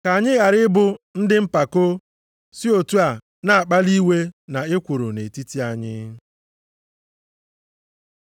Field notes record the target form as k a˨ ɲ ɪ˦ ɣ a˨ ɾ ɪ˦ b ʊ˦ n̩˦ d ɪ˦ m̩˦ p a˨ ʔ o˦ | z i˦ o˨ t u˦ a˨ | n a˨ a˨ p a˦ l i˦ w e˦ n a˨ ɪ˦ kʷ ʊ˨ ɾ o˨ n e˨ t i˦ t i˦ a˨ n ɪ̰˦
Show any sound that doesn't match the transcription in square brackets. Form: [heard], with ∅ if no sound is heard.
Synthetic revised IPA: k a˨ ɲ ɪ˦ ɣ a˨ ɾ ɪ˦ b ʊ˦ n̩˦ d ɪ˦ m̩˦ p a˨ [k] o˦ | [s] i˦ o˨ t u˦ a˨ | n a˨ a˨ [k͡p] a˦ l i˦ w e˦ n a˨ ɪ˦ kʷ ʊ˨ ɾ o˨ n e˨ t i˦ t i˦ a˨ [ɲ] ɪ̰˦

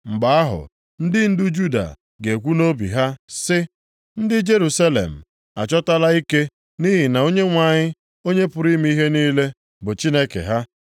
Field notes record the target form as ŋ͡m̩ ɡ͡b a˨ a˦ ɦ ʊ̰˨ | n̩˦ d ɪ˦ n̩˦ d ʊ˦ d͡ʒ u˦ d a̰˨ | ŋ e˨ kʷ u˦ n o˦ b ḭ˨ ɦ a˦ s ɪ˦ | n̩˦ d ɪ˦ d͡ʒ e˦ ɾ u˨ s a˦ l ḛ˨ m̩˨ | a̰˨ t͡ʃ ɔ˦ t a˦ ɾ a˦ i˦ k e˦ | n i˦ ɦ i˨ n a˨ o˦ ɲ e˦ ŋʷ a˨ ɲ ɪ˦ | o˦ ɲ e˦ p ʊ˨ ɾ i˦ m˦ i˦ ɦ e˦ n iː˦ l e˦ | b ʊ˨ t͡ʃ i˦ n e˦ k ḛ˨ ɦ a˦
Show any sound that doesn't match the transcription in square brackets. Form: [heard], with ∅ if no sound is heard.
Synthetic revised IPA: ŋ͡m̩ ɡ͡b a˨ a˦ ɦ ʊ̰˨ | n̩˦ d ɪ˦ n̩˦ d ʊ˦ d͡ʒ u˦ d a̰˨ | [ɡ] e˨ kʷ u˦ n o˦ b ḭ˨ ɦ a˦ s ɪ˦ | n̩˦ d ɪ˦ d͡ʒ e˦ ɾ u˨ s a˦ l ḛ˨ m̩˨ | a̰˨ t͡ʃ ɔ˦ t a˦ [l] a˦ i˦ k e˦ | n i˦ ɦ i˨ n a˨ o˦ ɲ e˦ ŋʷ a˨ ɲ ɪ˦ | o˦ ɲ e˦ p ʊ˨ ɾ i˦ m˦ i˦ ɦ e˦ n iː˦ l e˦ | b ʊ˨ t͡ʃ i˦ n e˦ k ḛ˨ ɦ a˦

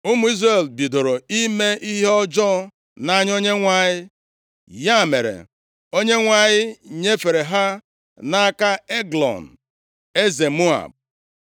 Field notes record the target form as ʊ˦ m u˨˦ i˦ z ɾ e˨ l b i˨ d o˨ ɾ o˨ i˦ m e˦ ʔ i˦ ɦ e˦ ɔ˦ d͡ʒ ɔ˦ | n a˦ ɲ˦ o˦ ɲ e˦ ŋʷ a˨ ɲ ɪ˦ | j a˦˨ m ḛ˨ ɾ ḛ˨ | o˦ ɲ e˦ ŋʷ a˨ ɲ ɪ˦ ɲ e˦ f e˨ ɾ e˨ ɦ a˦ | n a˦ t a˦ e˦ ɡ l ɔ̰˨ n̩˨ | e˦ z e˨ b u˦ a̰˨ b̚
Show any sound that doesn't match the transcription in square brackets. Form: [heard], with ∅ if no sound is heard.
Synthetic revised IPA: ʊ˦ m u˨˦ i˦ z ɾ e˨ l b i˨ d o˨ ɾ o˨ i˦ m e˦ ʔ i˦ ɦ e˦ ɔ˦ d͡ʒ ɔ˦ | n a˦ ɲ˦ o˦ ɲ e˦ ŋʷ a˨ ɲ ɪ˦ | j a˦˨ m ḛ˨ ɾ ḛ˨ | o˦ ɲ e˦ ŋʷ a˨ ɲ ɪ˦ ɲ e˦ f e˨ ɾ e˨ ɦ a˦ | n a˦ [k] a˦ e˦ ɡ l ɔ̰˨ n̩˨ | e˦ z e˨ [m] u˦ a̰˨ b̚

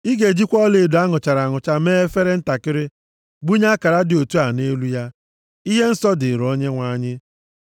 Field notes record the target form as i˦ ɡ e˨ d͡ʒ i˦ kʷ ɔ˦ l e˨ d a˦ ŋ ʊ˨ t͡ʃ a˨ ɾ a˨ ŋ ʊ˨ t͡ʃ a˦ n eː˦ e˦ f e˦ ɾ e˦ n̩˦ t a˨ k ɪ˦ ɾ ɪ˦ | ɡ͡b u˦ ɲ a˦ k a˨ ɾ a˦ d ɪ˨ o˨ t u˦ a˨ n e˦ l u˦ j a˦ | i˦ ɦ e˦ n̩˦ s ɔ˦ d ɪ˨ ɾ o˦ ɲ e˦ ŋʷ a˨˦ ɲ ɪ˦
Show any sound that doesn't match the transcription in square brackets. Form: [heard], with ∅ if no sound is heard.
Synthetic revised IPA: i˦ ɡ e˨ d͡ʒ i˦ kʷ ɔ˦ l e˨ d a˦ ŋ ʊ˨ t͡ʃ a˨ ɾ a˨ ŋ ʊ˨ t͡ʃ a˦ [m] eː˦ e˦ f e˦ ɾ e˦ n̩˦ t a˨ k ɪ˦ ɾ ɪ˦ | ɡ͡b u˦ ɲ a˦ k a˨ ɾ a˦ d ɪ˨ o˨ t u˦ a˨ n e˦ l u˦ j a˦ | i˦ ɦ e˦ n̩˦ s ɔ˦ d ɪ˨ ɾ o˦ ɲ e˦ ŋʷ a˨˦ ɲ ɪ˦

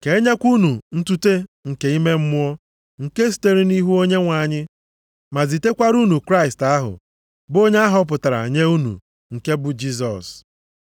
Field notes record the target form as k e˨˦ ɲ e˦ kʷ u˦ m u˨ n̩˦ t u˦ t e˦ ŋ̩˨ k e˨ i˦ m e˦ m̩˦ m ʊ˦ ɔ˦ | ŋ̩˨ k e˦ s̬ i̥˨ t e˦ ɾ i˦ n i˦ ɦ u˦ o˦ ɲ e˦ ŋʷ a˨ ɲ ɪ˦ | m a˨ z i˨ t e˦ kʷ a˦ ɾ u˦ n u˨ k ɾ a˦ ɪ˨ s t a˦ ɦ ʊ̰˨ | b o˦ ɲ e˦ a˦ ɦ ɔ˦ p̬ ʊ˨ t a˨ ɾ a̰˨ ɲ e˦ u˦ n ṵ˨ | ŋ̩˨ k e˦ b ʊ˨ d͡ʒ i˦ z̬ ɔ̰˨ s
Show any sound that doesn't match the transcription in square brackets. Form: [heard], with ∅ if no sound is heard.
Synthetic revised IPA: k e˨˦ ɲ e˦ kʷ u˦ [n] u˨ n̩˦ t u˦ t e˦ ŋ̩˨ k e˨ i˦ m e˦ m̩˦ m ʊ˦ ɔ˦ | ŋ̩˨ k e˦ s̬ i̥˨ t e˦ ɾ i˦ n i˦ ɦ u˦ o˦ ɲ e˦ ŋʷ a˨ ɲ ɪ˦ | m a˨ z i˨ t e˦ kʷ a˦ ɾ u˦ n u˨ k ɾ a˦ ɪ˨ s t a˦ ɦ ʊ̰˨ | b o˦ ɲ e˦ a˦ ɦ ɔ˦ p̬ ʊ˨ t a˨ ɾ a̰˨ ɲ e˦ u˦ n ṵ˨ | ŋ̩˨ k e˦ b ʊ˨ d͡ʒ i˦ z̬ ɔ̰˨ s

